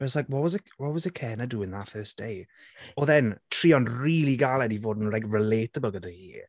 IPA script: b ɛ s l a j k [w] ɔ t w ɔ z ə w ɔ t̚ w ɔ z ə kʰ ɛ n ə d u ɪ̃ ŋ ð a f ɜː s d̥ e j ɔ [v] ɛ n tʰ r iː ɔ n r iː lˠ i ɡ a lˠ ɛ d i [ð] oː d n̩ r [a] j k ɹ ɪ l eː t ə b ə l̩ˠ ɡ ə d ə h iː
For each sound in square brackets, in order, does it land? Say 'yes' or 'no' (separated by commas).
yes, no, no, yes